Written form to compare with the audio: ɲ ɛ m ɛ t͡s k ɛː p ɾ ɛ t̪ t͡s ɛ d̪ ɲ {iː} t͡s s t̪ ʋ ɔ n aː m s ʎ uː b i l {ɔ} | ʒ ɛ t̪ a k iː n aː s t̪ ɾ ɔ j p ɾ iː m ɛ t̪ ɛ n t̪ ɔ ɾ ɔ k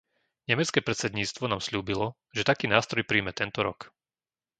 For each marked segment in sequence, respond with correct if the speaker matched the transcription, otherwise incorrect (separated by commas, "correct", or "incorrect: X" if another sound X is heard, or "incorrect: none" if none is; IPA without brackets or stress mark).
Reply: correct, correct